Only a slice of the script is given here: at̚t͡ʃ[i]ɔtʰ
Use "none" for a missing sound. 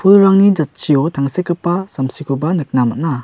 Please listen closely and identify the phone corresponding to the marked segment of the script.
i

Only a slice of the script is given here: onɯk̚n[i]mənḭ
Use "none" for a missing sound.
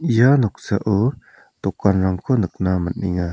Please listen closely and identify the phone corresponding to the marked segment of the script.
a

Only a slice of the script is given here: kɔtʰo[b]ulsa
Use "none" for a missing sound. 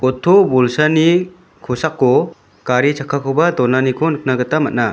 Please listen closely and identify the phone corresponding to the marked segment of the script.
b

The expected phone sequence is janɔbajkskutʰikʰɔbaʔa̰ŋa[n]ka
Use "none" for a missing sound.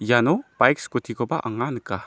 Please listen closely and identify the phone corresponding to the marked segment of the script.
n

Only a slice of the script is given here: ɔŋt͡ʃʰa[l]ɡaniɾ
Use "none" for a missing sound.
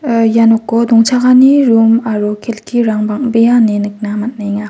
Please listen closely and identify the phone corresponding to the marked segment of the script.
none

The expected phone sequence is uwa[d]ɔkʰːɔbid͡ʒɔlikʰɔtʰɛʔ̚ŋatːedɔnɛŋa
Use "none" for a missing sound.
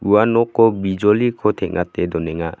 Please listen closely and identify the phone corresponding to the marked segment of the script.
n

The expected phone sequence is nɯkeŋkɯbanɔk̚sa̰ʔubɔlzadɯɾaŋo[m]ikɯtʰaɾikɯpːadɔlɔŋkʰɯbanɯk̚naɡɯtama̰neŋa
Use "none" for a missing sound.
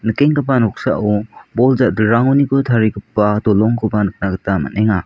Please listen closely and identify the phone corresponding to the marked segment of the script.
n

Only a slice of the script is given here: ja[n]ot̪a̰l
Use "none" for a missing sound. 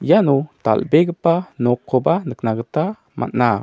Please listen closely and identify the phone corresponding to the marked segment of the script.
n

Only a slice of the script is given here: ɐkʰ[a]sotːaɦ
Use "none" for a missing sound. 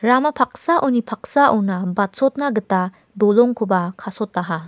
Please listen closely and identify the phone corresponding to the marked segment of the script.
a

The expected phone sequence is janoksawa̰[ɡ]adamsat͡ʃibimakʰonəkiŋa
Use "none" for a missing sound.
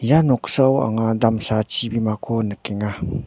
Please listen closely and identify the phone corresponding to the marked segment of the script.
ŋ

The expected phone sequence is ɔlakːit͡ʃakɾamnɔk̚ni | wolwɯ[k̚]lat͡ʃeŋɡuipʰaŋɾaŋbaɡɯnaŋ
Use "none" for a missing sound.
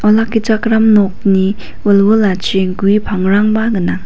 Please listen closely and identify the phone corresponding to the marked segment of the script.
none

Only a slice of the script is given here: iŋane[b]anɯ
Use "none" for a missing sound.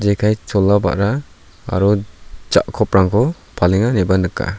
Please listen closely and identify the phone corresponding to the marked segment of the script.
b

